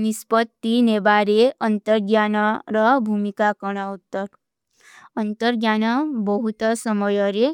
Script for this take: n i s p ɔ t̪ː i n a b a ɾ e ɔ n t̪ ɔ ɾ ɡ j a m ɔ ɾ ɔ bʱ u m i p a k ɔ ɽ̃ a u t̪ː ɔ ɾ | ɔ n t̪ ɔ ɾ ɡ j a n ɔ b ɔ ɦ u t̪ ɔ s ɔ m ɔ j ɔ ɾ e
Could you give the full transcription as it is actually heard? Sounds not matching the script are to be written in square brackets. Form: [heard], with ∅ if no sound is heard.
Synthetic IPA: n i s p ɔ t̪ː i n [e] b a ɾ e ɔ n t̪ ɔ ɾ ɡ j a [n] ɔ ɾ ɔ bʱ u m i [k] a k ɔ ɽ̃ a u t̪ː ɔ ɾ | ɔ n t̪ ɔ ɾ ɡ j a n ɔ b ɔ ɦ u t̪ ɔ s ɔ m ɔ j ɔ ɾ e

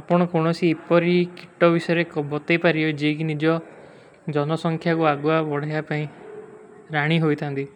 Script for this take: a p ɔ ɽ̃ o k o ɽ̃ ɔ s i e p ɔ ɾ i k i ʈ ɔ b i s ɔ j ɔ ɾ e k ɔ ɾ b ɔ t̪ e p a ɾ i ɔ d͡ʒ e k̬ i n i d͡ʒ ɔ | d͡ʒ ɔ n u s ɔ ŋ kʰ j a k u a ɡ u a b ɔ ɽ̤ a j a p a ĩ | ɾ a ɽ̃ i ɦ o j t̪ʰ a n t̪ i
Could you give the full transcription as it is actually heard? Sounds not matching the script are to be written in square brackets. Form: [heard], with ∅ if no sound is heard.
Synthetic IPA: a p ɔ ɽ̃ [ɔ] k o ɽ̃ ɔ s i e p ɔ ɾ i k i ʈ ɔ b i s ɔ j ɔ ɾ e k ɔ [∅] b ɔ t̪ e p a ɾ i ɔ d͡ʒ e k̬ i n i d͡ʒ ɔ | d͡ʒ ɔ n [ɔ] s ɔ ŋ kʰ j a k u a ɡ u a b ɔ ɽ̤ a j a p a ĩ | ɾ a ɽ̃ i ɦ o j t̪ʰ a n t̪ i

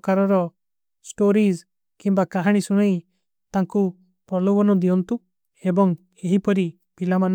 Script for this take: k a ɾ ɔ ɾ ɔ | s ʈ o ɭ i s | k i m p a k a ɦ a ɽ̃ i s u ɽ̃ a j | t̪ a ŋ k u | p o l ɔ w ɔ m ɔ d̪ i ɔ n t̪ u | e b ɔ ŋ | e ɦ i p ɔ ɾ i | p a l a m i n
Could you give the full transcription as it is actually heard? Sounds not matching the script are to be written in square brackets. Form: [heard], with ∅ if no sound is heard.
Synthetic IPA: k a ɾ ɔ ɾ ɔ | s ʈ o [ɾ] i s | k i m [b] a k a ɦ a ɽ̃ i s u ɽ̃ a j | t̪ a ŋ k u | p [ɔ] l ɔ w ɔ [n] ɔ d̪ i ɔ n t̪ u | e b ɔ ŋ | e ɦ i p ɔ ɾ i | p [i] l a m [a] n

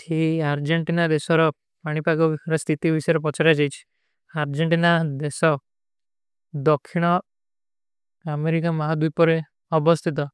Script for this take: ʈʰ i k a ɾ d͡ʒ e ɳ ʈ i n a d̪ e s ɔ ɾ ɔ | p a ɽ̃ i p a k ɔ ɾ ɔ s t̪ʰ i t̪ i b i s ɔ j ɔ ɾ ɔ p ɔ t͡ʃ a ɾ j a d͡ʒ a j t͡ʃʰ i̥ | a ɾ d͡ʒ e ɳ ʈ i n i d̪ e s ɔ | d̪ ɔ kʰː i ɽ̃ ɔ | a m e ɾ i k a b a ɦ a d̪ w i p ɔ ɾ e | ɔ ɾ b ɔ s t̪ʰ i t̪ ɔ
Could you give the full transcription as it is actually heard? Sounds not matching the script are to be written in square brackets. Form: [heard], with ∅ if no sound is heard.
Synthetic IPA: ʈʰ i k a ɾ d͡ʒ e ɳ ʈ i n a d̪ e s ɔ ɾ ɔ | p a ɽ̃ i p a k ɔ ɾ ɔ s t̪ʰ i t̪ i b i s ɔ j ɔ ɾ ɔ p ɔ t͡ʃ a ɾ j a d͡ʒ a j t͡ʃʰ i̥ | a ɾ d͡ʒ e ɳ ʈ i n [a] d̪ e s ɔ | d̪ ɔ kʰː i ɽ̃ ɔ | a m e ɾ i k a [m] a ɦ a d̪ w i p ɔ ɾ e | ɔ [∅] b ɔ s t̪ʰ i t̪ ɔ

